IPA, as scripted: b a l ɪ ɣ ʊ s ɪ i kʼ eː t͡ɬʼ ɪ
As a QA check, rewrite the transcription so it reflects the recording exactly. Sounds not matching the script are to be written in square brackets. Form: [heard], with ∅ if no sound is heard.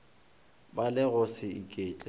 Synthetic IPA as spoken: b a l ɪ ɣ ʊ s ɪ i kʼ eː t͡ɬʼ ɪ